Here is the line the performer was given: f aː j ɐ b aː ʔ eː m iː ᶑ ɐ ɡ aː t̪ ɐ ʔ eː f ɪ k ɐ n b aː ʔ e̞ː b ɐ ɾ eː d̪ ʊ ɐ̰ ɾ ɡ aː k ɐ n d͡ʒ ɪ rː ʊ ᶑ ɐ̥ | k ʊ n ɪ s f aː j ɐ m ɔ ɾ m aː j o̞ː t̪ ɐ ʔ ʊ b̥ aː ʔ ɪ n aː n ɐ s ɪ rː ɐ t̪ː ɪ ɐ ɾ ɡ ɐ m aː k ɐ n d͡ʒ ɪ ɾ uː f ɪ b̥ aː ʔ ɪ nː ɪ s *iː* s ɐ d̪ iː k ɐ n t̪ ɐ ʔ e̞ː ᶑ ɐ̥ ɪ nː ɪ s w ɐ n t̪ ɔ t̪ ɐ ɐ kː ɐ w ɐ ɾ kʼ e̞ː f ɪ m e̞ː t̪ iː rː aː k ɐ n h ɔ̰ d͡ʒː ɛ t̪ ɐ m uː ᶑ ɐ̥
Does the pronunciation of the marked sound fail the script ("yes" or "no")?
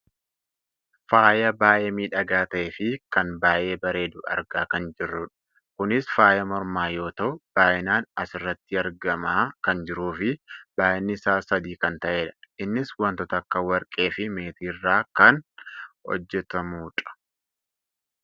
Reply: yes